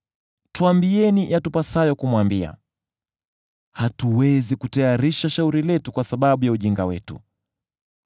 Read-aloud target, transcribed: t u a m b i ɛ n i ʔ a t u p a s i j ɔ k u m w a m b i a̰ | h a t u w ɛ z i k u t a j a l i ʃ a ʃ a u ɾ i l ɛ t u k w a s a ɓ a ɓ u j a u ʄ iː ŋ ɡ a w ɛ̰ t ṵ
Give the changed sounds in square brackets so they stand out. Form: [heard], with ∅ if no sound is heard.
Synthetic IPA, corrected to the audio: t u a m b i ɛ n i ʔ a t u p a s [a] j ɔ k u m w a m b i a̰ | h a t u w ɛ z i k u t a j a [ɾ] i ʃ a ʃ a u ɾ i l ɛ t u k w a s a ɓ a ɓ u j a u ʄ [i] ŋ ɡ a w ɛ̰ t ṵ